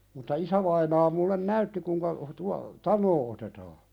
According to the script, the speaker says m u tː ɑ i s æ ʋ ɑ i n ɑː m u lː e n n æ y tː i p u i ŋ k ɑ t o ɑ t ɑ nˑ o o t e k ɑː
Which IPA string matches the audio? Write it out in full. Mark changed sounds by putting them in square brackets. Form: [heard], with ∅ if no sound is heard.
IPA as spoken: m u tː ɑ i s æ ʋ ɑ i n ɑː m u lː e n n æ y tː i [k] u i ŋ k ɑ t [u] ɑ t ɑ nˑ [oː] o t e [t] ɑː